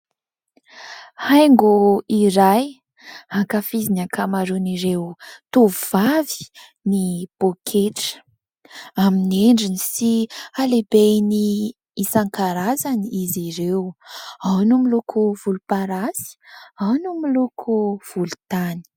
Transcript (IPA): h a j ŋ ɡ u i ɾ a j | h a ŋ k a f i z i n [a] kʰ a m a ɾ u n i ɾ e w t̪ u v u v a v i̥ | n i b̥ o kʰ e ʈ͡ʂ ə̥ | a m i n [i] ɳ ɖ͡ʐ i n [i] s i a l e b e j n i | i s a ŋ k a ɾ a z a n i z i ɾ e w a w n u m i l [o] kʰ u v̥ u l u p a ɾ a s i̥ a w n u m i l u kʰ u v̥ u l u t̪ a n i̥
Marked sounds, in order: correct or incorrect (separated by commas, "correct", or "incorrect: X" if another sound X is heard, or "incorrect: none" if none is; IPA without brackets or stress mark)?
correct, incorrect: e, correct, incorrect: u